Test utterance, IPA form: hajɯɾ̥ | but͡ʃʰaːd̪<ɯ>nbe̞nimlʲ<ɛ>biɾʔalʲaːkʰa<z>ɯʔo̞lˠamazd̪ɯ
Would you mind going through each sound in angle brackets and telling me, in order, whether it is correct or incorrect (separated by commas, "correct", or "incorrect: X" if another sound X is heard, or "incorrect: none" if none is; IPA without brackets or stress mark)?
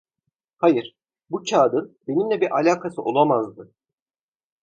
correct, correct, incorrect: s